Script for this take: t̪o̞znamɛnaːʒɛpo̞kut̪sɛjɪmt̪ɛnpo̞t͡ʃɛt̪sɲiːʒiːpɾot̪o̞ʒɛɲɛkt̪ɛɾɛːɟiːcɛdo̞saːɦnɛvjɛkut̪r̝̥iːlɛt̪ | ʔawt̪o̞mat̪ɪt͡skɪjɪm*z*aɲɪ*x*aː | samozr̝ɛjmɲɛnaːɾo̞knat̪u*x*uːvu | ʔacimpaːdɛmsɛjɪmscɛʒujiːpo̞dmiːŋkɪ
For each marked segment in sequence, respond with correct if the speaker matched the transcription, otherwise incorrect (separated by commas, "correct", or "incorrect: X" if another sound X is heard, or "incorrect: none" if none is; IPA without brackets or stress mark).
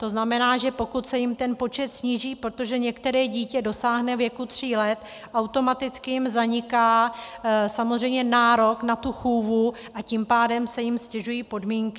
correct, incorrect: k, correct